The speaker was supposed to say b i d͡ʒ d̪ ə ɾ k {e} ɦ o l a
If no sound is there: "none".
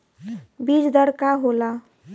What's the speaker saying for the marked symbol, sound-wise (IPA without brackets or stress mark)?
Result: a